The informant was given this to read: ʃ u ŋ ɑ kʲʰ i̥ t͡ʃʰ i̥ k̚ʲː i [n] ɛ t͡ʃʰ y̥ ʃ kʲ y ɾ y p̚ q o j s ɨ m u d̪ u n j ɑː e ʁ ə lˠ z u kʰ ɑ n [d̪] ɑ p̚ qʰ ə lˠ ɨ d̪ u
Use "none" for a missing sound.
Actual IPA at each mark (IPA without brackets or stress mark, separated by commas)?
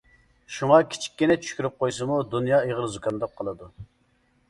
n, d̪